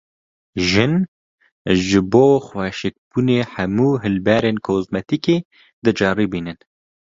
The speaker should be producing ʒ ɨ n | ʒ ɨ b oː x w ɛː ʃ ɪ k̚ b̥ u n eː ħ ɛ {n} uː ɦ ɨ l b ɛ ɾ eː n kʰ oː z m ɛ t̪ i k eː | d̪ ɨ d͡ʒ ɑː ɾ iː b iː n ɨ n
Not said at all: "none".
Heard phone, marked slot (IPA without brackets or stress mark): m